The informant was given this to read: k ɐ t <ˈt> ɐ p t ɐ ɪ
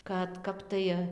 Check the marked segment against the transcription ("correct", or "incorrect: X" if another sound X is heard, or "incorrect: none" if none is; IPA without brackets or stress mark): incorrect: k